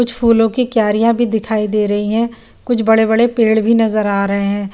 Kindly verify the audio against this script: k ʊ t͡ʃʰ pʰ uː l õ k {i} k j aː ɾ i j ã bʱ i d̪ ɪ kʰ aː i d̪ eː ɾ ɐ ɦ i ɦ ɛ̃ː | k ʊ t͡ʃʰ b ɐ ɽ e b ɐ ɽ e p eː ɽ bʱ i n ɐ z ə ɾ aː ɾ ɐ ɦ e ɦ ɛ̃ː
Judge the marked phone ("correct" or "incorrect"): correct